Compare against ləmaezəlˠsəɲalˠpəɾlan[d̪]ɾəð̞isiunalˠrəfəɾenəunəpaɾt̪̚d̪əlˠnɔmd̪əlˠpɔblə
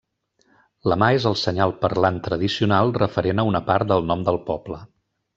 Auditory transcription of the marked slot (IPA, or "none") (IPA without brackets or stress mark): t̪